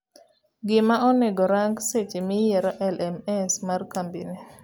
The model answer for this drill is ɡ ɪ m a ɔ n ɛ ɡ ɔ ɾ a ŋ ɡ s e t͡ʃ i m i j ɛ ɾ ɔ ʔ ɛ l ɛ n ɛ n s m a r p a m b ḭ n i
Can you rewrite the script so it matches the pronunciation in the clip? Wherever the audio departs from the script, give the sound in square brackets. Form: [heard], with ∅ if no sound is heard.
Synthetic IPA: ɡ ɪ m a ɔ n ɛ ɡ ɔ ɾ a ŋ ɡ s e t͡ʃ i m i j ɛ ɾ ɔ ʔ ɛ l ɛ [m] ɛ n s m a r [k] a m b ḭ n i